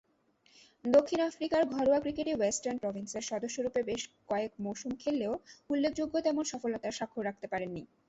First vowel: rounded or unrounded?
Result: rounded